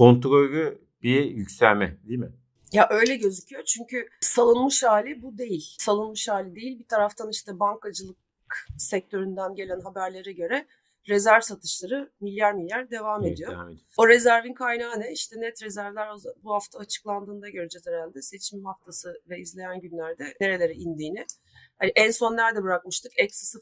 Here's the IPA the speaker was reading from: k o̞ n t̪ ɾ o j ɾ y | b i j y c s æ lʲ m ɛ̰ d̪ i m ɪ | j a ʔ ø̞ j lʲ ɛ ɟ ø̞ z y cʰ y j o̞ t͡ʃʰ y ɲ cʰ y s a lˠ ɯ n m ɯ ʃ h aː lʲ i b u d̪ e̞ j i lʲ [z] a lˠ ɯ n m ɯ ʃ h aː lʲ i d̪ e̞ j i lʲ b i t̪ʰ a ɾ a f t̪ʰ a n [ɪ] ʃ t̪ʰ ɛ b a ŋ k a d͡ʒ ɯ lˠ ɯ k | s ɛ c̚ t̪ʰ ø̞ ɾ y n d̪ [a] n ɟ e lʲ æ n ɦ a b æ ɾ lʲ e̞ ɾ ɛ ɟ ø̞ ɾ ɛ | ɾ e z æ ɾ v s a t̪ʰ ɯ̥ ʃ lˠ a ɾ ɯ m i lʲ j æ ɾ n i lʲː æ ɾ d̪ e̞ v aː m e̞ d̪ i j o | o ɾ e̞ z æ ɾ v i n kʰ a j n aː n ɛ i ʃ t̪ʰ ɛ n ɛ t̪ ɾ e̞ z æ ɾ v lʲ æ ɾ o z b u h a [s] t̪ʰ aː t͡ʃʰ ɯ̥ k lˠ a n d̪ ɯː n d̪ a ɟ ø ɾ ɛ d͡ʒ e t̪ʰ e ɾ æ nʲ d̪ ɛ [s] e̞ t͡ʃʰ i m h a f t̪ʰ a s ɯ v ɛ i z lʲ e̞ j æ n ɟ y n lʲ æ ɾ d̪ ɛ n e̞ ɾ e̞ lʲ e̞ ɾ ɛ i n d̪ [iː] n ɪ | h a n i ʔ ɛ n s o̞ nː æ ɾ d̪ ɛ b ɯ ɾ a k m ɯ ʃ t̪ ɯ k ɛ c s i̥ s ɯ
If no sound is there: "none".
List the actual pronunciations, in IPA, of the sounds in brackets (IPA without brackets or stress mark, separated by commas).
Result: s, i, æ, f, s, iː